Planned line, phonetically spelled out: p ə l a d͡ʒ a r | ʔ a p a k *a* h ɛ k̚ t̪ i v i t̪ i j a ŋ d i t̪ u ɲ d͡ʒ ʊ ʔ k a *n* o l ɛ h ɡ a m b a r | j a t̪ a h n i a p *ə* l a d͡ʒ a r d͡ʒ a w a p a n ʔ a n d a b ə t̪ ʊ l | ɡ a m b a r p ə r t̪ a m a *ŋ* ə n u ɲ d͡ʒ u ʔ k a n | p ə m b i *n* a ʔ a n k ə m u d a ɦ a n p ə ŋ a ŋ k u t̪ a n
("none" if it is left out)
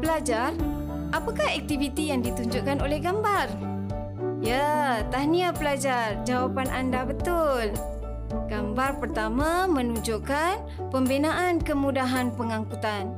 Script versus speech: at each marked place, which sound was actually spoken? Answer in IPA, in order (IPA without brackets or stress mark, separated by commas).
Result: a, n, ə, m, n